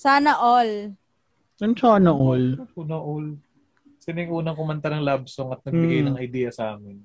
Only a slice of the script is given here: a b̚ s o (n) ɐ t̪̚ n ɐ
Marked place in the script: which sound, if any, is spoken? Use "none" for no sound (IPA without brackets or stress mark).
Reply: ŋ